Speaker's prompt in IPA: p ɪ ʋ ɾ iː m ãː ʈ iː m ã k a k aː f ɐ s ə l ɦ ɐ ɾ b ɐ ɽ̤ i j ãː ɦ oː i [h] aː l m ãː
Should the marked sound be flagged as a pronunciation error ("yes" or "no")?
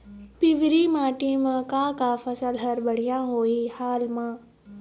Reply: no